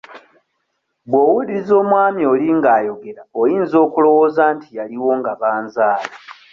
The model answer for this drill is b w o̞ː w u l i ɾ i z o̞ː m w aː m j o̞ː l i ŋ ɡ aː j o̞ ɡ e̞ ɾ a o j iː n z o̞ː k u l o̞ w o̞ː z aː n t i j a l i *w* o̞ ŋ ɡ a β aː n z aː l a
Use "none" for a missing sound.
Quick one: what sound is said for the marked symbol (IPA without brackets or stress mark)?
w